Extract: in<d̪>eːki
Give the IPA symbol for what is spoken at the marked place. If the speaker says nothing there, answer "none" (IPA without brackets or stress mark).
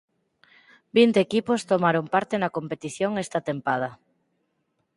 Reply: t̪